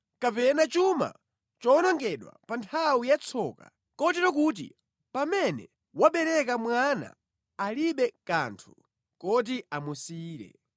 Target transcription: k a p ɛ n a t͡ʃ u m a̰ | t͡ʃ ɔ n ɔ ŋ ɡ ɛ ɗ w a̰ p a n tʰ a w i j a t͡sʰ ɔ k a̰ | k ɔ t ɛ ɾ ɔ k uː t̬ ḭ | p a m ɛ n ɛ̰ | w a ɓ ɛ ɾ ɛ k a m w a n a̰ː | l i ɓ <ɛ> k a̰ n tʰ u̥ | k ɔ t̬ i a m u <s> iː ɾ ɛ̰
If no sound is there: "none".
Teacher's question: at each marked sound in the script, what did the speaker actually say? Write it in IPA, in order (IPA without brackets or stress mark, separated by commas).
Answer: ɛ, s